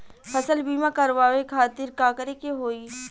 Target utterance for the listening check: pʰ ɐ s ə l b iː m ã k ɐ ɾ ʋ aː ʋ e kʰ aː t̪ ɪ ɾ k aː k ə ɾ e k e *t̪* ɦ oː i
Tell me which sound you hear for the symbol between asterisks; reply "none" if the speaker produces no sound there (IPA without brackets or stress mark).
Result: none